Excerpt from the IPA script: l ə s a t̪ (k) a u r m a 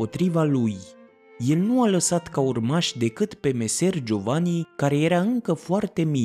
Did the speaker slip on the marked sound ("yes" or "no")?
no